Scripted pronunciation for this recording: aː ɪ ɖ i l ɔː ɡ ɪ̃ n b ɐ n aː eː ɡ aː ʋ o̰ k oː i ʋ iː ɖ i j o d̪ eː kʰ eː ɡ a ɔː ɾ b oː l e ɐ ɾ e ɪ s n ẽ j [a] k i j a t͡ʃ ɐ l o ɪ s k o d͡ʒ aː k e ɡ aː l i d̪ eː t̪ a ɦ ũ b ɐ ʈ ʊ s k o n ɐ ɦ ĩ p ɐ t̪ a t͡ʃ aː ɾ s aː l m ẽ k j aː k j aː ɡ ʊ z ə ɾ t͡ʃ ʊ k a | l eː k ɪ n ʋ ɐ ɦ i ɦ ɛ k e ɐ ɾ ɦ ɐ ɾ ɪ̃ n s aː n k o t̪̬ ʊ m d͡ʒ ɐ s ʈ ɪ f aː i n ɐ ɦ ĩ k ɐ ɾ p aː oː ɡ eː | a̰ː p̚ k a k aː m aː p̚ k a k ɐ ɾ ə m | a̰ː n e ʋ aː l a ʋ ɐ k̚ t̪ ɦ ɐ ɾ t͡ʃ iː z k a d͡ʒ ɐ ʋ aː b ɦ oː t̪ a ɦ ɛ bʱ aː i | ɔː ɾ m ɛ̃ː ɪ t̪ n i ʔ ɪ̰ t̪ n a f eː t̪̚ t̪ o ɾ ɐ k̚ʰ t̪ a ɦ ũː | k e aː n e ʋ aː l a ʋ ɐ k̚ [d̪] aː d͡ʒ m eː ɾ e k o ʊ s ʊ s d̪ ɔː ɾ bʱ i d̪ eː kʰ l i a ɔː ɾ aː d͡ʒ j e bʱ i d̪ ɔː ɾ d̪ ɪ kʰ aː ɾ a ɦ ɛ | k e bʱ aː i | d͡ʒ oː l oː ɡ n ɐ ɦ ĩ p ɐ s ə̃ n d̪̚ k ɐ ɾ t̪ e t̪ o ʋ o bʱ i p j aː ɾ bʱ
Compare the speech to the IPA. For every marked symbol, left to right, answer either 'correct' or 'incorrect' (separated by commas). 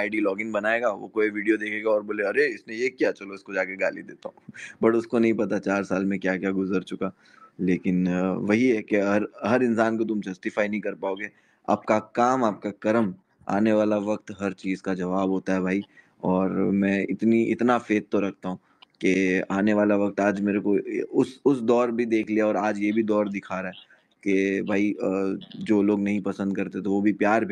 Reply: incorrect, incorrect